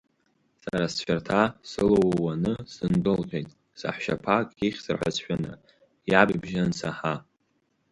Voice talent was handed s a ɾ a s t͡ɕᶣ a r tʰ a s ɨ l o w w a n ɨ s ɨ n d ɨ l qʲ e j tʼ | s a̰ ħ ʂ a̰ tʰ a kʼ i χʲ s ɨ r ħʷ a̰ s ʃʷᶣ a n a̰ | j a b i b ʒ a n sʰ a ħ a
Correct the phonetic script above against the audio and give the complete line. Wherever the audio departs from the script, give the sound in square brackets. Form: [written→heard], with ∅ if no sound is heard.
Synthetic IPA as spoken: s a ɾ a s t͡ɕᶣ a r tʰ a s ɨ l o w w a n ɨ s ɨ n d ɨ l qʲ e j tʼ | s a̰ ħ [ʂ→ʃ] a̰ [tʰ→pʰ] a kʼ i χʲ s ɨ r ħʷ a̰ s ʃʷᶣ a n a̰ | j a b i b ʒ a n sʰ a ħ a